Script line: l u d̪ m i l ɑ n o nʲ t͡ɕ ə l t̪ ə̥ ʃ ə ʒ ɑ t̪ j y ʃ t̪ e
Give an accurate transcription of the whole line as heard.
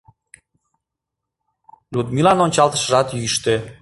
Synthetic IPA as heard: l u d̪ m i l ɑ n o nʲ t͡ɕ ɑ l t̪ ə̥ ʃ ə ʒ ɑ t̪ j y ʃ t̪ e